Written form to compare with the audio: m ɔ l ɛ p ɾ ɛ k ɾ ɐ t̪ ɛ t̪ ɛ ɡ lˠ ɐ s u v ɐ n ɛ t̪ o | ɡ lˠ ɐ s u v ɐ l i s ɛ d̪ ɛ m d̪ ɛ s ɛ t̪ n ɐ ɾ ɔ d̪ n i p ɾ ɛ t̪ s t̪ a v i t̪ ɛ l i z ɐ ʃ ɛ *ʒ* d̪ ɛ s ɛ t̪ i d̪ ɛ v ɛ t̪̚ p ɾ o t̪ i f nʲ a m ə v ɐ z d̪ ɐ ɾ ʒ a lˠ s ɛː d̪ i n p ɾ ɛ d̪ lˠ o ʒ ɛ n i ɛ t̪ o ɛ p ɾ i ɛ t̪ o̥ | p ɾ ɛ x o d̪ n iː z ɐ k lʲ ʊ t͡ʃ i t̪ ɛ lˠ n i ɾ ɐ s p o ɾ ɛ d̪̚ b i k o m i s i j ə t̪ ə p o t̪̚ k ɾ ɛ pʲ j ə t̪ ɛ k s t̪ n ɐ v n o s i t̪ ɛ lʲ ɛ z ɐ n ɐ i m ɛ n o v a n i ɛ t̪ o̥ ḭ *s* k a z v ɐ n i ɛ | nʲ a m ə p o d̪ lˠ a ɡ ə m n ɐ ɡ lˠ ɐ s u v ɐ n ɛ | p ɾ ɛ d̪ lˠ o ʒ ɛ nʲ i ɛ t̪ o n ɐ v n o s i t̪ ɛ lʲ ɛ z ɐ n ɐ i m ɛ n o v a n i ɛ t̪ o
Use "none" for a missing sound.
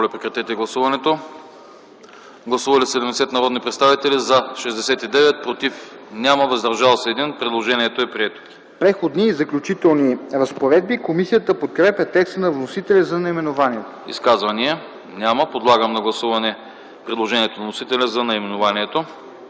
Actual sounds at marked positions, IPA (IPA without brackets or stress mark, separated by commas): z, s